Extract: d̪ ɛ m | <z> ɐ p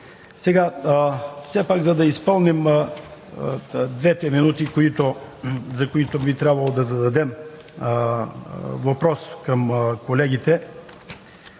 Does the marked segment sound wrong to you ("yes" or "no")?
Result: yes